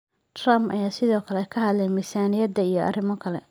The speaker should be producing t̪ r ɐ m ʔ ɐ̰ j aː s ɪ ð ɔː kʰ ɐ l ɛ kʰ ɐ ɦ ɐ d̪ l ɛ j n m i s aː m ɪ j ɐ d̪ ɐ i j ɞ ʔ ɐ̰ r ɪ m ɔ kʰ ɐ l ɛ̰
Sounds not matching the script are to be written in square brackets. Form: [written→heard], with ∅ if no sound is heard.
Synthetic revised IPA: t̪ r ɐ m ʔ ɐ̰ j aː s ɪ ð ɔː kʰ ɐ l ɛ kʰ ɐ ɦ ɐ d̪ l ɛ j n m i s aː [m→n] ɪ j ɐ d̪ ɐ i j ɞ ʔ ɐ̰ r ɪ m ɔ kʰ ɐ l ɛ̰